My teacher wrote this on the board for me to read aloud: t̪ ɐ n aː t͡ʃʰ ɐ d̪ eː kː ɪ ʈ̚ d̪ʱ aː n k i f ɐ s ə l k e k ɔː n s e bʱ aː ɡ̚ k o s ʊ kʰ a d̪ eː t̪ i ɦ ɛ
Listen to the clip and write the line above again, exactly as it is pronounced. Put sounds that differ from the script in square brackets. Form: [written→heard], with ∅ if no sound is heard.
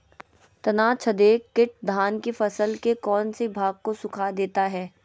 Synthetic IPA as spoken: t̪ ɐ n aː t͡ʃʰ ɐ d̪ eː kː ɪ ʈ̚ d̪ʱ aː n k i f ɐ s ə l k e k ɔː n s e bʱ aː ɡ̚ k o s ʊ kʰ a d̪ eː t̪ [i→a] ɦ [ɛ→ɛː]